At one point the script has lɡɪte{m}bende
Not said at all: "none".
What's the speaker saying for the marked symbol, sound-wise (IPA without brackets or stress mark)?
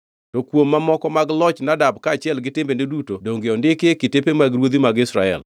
m